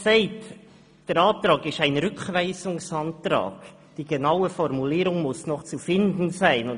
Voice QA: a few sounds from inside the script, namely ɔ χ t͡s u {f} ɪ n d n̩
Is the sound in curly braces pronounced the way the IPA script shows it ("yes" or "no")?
yes